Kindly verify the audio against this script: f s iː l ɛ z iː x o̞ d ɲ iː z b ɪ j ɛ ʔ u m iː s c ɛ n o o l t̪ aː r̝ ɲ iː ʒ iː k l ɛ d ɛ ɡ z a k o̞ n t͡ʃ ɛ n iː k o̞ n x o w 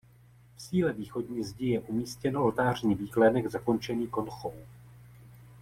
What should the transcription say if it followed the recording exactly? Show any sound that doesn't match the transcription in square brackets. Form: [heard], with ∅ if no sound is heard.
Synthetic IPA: f s iː l ɛ [v] iː x o̞ d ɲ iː z [ɟ] ɪ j ɛ ʔ u m iː s c ɛ n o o l t̪ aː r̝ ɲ iː [v] iː k l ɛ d ɛ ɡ z a k o̞ n t͡ʃ ɛ n iː k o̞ n x o w

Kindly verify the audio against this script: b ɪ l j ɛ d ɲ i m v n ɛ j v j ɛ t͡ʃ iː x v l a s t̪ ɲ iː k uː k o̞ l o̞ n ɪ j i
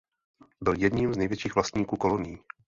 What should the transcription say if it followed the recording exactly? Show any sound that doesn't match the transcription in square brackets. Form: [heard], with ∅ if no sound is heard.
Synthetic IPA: b ɪ l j ɛ d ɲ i m [z] n ɛ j v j ɛ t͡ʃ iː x v l a s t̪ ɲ iː k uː k o̞ l o̞ n ɪ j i

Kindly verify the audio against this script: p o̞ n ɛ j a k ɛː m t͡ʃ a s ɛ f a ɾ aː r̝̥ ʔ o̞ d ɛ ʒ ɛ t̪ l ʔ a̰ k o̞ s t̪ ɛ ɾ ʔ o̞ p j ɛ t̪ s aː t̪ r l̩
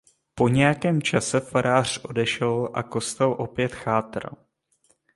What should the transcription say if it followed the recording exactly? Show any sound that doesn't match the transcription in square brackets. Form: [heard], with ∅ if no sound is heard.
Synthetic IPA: p o̞ [ɲ] ɛ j a k ɛː m t͡ʃ a s ɛ f a ɾ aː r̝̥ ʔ o̞ d ɛ [ʃ] ɛ [∅] l ʔ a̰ k o̞ s t̪ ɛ [l] ʔ o̞ p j ɛ t̪ [x] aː t̪ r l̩

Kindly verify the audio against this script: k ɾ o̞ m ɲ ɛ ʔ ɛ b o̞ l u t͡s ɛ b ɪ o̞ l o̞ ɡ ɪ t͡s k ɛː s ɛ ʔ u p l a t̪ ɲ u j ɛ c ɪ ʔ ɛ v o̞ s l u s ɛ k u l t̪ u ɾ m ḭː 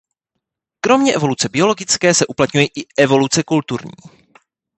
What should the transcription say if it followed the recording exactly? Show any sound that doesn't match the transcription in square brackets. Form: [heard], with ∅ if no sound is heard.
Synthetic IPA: k ɾ o̞ m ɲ ɛ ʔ ɛ [v] o̞ l u t͡s ɛ b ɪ o̞ l o̞ ɡ ɪ t͡s k ɛː s ɛ ʔ u p l a t̪ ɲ u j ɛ [ʔ] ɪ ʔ ɛ v o̞ [∅] l u [t͡s] ɛ k u l t̪ u ɾ [ɲ] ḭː

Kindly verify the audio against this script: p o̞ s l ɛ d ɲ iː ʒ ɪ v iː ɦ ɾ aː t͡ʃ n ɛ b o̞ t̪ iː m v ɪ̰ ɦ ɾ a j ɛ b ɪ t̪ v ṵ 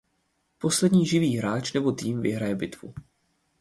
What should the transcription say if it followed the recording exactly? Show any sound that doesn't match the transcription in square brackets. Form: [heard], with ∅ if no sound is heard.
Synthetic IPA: p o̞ s l ɛ d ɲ iː ʒ ɪ v iː ɦ ɾ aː t͡ʃ n ɛ b o̞ t̪ iː m v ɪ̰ ɦ ɾ a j ɛ b ɪ t̪ v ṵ

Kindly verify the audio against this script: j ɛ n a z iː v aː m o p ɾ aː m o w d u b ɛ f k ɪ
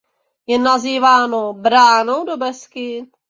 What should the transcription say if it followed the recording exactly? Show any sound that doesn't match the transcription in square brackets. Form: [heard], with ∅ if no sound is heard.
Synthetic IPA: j ɛ n a z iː v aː [n] o [b] ɾ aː [n] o w d [o] b ɛ [s] k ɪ

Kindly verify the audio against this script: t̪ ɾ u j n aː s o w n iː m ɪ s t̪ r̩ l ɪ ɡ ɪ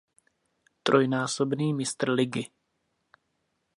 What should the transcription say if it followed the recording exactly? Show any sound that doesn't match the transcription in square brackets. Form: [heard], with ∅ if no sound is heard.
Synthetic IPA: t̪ ɾ [o] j n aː s o [b] n iː m ɪ s t̪ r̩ l ɪ ɡ ɪ

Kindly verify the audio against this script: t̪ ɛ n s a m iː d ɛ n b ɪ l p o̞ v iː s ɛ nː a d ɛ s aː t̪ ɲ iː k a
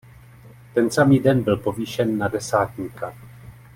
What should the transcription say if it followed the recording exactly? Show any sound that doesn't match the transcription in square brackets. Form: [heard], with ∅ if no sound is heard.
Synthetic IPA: t̪ ɛ n s a m iː d ɛ n b ɪ l p o̞ v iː [ʃ] ɛ nː a d ɛ s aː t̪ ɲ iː k a

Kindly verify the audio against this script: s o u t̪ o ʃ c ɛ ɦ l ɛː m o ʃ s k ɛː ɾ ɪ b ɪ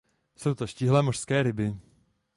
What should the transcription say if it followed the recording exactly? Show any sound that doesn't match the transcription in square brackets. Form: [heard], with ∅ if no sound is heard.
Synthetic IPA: s o [w] t̪ o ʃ c [i] ɦ l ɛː m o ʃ s k ɛː ɾ ɪ b ɪ

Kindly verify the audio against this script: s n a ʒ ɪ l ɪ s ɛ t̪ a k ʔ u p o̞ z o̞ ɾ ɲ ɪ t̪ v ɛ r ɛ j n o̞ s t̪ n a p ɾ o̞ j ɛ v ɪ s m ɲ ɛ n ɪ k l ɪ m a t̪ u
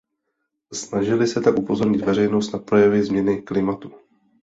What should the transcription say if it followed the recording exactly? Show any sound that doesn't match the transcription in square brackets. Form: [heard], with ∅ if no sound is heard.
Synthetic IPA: s n a ʒ ɪ l ɪ s ɛ t̪ a k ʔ u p o̞ z o̞ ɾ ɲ ɪ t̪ v ɛ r ɛ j n o̞ s t̪ n a p ɾ o̞ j ɛ v ɪ [z] m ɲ ɛ n ɪ k l ɪ m a t̪ u

